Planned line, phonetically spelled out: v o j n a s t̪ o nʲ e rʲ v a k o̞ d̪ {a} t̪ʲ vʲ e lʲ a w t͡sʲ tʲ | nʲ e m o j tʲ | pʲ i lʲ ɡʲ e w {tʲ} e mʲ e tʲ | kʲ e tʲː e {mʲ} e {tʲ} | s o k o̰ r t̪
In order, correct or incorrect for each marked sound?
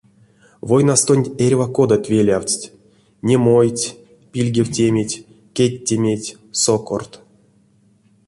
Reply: correct, correct, correct, correct

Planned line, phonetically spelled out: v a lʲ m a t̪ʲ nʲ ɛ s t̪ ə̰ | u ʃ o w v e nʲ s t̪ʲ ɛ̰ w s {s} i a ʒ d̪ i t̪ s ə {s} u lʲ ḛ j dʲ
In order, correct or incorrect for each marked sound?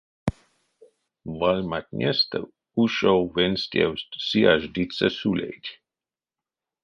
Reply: correct, correct

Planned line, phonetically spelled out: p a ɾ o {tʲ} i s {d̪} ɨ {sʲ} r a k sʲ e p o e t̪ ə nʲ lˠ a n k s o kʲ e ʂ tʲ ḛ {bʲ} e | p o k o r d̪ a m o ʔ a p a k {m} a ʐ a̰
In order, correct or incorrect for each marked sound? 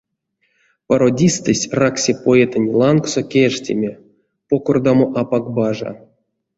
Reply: incorrect: dʲ, incorrect: t̪, correct, incorrect: mʲ, incorrect: b

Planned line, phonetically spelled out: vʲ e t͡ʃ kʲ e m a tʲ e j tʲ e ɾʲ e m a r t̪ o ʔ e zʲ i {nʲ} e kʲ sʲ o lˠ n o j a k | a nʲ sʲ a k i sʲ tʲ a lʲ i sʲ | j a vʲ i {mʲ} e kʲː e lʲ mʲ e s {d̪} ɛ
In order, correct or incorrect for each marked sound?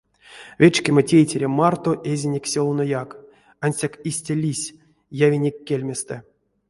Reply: correct, incorrect: nʲ, incorrect: t̪

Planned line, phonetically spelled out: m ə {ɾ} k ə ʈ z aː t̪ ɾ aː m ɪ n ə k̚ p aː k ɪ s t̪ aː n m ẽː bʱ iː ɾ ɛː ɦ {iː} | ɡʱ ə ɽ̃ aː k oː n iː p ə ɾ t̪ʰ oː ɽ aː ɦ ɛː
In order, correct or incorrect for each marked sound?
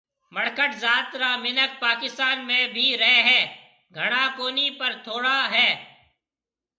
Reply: incorrect: ɽ, incorrect: ɛː

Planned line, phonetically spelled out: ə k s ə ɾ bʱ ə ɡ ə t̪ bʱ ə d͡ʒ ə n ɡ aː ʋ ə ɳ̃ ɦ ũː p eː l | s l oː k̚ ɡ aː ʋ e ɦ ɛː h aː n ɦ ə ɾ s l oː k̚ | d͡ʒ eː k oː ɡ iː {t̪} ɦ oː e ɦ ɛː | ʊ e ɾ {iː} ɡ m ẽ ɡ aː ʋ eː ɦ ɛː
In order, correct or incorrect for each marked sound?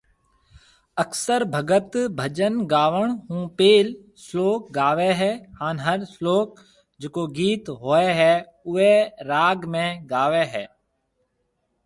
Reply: correct, incorrect: aː

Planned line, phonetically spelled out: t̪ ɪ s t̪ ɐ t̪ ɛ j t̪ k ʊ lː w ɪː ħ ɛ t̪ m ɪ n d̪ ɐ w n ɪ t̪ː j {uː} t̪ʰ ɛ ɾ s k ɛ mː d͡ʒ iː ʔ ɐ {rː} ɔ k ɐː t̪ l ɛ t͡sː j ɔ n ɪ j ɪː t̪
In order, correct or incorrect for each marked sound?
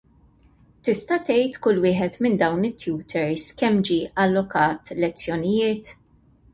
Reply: correct, incorrect: lː

